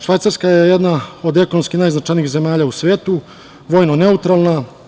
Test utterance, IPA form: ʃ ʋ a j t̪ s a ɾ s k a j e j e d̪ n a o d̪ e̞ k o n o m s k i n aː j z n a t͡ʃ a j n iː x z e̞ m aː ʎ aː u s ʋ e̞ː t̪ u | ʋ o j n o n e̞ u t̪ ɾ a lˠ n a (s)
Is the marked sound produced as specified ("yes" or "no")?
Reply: no